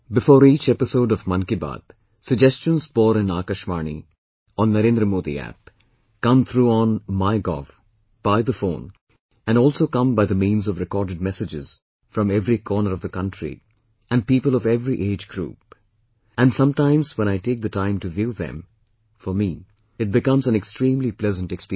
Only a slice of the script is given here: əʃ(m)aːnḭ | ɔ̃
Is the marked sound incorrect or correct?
correct